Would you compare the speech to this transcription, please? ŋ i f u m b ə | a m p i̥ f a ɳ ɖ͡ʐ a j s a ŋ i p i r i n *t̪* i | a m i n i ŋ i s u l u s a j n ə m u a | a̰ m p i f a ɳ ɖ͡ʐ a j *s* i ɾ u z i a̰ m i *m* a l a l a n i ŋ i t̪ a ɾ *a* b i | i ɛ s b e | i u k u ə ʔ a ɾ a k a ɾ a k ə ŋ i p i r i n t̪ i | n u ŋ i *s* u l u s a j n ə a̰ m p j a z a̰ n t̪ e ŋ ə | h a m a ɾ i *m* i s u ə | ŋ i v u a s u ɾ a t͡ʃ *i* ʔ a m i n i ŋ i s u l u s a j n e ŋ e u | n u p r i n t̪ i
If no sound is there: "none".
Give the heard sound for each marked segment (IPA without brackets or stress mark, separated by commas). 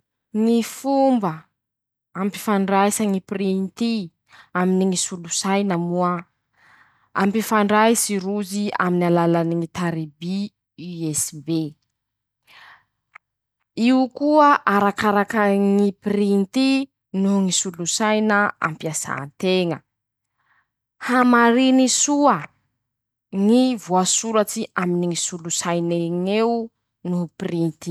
t̪, s, n, i, s, n, i